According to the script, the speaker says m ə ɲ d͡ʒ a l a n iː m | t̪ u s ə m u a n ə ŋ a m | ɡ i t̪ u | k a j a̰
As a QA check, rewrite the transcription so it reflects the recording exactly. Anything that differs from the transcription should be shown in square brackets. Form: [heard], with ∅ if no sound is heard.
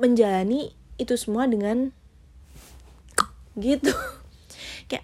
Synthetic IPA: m ə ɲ d͡ʒ a l a n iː [∅] | t̪ u s ə m u a [d] ə ŋ a [n] | ɡ i t̪ u | k a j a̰